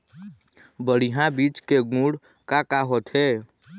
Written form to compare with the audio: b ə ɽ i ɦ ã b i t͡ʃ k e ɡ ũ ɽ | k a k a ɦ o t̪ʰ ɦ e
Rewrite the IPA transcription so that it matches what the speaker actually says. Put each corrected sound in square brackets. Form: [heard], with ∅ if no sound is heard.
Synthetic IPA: b ə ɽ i ɦ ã b i t͡ʃ k e ɡ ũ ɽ | k a k a ɦ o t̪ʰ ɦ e